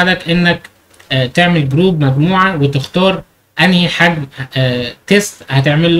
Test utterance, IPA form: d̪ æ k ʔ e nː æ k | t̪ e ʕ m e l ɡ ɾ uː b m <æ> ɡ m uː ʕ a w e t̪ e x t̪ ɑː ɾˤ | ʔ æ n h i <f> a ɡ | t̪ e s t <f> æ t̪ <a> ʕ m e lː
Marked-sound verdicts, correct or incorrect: correct, incorrect, incorrect, incorrect

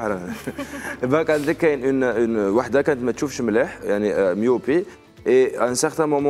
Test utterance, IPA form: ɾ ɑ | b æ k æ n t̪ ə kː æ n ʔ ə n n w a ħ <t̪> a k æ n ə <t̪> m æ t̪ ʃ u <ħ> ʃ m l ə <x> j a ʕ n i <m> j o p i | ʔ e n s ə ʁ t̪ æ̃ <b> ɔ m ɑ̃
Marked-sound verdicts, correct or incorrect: incorrect, correct, incorrect, incorrect, correct, incorrect

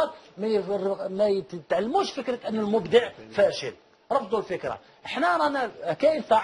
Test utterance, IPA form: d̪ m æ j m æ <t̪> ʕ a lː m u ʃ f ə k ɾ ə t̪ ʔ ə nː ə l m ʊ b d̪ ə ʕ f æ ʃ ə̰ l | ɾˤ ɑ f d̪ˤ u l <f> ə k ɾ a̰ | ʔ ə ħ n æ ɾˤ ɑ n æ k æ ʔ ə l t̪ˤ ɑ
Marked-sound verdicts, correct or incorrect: correct, correct

